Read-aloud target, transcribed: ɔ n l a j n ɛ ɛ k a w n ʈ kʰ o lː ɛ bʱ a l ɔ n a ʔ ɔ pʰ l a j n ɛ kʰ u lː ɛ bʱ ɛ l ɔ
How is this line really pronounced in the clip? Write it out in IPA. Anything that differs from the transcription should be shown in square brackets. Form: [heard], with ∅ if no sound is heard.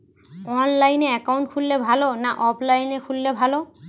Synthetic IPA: ɔ n l a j n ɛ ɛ k a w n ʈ kʰ [u] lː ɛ bʱ a l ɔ n a ʔ ɔ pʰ l a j n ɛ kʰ u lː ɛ bʱ [a] l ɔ